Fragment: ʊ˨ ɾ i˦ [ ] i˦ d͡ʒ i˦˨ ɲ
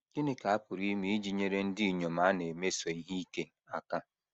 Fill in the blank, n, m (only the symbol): m